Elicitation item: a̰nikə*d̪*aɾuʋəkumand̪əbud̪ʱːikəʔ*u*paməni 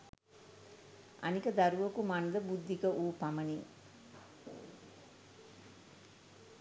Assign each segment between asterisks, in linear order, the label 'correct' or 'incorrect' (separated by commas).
correct, incorrect